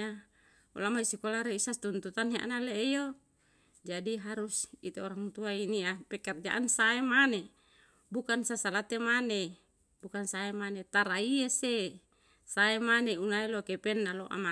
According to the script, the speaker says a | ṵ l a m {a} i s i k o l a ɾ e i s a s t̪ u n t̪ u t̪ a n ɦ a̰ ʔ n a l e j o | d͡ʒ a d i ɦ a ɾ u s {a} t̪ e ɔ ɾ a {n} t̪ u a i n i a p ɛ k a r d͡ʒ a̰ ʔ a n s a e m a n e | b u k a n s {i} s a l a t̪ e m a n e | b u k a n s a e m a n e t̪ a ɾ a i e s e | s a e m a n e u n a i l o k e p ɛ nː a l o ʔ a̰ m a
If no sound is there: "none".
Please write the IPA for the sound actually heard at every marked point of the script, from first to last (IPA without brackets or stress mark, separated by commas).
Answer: a, i, ŋ, a